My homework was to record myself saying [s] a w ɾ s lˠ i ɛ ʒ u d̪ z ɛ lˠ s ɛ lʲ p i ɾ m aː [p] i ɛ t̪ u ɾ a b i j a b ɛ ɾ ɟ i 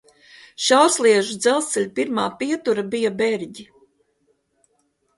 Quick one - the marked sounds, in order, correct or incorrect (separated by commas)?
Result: incorrect, correct